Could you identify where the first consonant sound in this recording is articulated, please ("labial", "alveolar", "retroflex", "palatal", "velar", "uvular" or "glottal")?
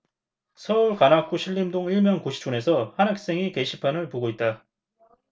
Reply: alveolar